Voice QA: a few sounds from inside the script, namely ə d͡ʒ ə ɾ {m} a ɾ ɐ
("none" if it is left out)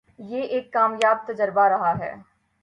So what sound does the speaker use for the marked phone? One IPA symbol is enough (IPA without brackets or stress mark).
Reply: b